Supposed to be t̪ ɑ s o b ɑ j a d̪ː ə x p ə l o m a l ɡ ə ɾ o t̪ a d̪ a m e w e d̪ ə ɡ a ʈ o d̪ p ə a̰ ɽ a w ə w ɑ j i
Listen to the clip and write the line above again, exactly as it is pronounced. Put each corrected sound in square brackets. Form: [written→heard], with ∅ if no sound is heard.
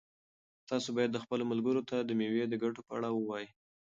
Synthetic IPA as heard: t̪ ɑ s o b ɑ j a d̪ː ə x p ə l o m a l ɡ ə ɾ o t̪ a d̪ [a→ə] m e w e d̪ ə ɡ a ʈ o [d̪→∅] p ə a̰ ɽ a w ə w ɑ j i